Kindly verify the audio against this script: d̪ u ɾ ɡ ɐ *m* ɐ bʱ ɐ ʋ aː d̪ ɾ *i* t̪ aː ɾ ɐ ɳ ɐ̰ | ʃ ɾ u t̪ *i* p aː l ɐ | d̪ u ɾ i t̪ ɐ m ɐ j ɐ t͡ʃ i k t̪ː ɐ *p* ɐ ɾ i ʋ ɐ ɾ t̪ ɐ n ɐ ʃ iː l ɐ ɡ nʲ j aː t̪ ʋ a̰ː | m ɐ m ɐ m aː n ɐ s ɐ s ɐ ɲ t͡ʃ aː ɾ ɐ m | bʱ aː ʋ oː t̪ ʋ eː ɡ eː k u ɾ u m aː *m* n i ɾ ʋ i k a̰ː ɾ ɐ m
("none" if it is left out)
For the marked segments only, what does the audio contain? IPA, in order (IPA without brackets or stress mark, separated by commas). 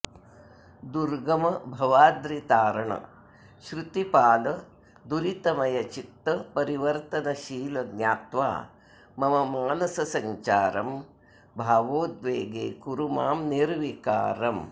m, i, i, p, m